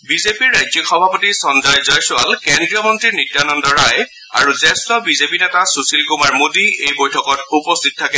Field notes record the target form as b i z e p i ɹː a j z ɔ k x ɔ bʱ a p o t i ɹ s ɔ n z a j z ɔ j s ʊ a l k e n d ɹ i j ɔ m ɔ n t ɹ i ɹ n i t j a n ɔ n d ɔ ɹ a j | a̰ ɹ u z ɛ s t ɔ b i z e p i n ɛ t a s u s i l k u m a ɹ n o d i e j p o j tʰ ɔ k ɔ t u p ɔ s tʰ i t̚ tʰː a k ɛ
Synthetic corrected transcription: b i z e p i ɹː a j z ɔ k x ɔ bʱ a p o t i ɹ s ɔ n z a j z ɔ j s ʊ a l k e n d ɹ i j ɔ m ɔ n t ɹ i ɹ n i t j a n ɔ n d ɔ ɹ a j | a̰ ɹ u z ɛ s t ɔ b i z e p i n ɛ t a s u s i l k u m a ɹ m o d i e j b o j tʰ ɔ k ɔ t u p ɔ s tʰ i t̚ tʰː a k ɛ